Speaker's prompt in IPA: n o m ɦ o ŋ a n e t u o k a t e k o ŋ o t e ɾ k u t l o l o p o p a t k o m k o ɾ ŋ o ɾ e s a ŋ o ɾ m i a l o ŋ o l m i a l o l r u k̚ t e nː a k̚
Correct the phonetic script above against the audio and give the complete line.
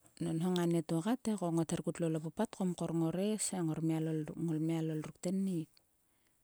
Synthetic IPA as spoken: n o n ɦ o ŋ a n e t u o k a t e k o ŋ o t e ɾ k u t l o l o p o p a t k o m k o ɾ ŋ o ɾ e s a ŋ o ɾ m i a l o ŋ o l m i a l o l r u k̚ t e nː i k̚